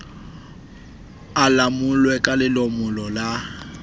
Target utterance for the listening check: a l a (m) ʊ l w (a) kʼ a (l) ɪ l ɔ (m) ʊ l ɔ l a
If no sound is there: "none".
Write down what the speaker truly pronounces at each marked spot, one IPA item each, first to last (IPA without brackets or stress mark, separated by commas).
m, ɛ, l, m